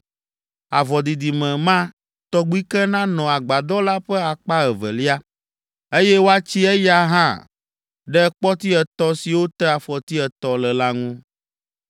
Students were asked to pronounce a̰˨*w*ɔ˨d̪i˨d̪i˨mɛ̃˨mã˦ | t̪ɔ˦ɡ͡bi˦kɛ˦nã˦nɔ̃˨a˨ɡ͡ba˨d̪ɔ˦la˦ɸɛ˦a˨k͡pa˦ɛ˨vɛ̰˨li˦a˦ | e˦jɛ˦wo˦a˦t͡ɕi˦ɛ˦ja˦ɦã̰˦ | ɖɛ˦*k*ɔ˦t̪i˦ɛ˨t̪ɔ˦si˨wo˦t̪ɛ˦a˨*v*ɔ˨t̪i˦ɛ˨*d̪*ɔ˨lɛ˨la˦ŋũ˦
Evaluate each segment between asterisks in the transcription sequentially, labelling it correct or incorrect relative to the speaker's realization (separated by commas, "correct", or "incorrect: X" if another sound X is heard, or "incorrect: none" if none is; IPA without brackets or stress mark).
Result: incorrect: v, incorrect: k͡p, incorrect: f, incorrect: t̪